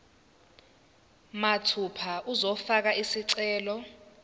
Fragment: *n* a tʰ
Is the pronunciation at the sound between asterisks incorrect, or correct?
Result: incorrect